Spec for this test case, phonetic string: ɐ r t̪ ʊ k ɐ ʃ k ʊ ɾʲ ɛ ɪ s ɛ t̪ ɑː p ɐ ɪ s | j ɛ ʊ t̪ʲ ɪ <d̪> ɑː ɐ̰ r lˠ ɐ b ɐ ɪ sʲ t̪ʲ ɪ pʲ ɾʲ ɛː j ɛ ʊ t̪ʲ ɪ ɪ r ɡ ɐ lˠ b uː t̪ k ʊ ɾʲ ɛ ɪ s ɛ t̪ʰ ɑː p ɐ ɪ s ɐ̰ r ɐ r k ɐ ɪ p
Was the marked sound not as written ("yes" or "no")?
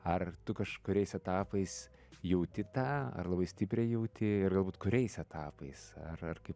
yes